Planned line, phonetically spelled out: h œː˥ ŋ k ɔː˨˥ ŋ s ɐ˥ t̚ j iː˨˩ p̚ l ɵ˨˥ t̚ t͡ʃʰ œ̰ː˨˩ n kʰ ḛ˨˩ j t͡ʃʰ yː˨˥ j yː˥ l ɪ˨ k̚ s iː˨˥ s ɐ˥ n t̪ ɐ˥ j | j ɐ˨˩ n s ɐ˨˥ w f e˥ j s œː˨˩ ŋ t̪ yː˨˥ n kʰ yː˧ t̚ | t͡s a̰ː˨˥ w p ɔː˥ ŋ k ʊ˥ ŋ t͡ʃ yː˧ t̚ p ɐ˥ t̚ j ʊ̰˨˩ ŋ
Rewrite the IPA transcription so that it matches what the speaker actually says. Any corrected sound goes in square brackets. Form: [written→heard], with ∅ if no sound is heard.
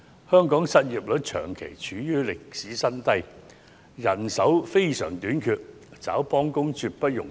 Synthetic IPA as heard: h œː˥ ŋ k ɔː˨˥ ŋ s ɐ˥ t̚ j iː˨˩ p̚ l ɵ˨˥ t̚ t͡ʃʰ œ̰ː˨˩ [n→ŋ] kʰ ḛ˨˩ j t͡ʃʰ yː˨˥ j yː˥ l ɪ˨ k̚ s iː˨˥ s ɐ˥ n t̪ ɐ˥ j | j ɐ˨˩ n s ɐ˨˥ w f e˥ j s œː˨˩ ŋ t̪ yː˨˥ n kʰ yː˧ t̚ | t͡s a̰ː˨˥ w p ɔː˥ ŋ k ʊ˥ ŋ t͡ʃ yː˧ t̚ p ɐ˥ t̚ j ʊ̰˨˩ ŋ